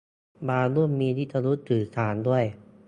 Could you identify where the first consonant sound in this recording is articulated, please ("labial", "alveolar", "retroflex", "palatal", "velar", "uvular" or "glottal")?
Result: labial